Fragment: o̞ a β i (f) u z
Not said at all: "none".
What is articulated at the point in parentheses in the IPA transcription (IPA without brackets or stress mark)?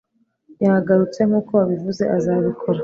v